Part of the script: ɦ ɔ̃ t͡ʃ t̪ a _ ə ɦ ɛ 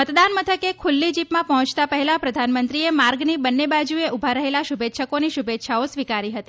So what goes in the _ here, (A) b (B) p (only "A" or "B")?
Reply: B